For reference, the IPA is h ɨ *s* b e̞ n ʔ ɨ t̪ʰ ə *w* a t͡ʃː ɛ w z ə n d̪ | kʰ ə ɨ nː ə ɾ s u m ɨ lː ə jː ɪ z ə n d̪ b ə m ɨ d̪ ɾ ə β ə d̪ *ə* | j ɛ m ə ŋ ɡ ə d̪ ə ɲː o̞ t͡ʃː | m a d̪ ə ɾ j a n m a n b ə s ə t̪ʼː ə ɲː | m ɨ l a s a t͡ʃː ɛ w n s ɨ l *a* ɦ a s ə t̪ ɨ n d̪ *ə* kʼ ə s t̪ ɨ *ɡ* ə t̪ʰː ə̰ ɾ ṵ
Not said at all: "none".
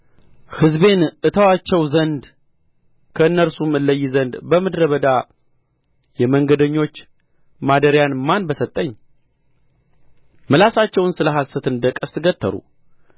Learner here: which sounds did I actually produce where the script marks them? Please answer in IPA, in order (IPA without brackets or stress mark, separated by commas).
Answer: z, w, a, ə, ə, ɡ